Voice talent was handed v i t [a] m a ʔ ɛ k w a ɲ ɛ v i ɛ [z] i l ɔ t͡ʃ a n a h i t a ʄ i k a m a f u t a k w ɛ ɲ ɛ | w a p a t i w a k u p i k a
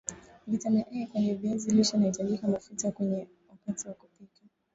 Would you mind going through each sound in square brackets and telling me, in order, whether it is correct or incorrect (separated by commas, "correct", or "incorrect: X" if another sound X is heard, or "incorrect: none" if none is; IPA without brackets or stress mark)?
correct, correct